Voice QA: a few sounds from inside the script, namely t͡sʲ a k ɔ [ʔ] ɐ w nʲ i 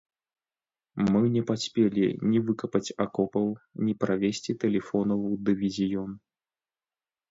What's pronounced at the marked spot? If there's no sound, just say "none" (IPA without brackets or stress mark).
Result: p